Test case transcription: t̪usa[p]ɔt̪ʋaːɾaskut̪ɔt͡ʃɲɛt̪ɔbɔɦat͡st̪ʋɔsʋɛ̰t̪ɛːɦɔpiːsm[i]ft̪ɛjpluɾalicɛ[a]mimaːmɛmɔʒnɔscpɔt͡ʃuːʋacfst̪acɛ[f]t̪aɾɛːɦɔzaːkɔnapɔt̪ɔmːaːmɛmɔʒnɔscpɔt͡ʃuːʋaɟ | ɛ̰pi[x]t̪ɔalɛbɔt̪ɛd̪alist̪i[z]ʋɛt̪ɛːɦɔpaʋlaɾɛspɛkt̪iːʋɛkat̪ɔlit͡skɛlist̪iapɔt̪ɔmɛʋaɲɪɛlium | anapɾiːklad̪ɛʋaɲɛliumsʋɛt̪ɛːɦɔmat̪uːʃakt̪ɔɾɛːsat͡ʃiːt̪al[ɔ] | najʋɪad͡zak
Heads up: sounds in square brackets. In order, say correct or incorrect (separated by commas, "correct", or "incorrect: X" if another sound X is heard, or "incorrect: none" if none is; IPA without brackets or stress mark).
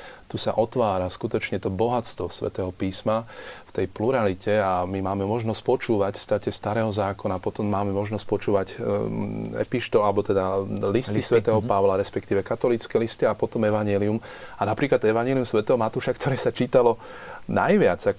incorrect: ʔ, incorrect: a, correct, incorrect: s, incorrect: ʃ, incorrect: s, correct